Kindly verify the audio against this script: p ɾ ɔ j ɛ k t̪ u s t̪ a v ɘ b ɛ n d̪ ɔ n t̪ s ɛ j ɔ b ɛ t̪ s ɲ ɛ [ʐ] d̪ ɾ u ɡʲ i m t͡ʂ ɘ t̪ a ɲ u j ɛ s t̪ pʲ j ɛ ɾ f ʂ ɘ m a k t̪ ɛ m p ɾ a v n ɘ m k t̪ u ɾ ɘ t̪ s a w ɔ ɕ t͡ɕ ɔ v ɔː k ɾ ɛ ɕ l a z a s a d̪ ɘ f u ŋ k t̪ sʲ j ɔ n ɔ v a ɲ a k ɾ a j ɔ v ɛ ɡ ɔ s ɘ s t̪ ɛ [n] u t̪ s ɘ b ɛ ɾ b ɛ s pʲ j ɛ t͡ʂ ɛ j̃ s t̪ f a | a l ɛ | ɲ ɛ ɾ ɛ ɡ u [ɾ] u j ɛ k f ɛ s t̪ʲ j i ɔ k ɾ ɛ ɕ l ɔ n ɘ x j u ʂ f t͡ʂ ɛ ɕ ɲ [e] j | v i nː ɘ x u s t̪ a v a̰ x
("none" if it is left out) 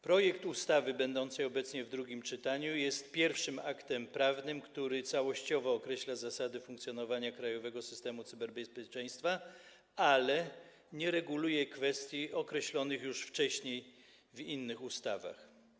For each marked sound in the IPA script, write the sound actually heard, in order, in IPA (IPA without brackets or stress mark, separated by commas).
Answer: v, m, l, e